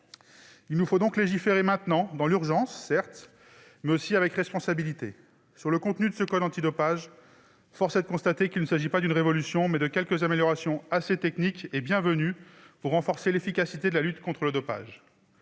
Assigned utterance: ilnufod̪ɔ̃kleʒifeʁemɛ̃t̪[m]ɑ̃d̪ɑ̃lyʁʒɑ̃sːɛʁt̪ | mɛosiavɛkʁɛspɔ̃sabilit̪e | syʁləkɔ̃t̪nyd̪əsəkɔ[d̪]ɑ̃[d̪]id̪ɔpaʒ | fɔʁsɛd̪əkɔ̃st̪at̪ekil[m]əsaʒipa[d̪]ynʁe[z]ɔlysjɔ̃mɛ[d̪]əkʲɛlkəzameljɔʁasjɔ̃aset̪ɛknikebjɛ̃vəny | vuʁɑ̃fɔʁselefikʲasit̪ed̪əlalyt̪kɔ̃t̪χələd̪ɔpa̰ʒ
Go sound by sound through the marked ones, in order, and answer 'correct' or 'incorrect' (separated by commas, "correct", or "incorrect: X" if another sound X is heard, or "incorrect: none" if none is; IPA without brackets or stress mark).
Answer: incorrect: n, correct, incorrect: t̪, incorrect: n, correct, incorrect: v, correct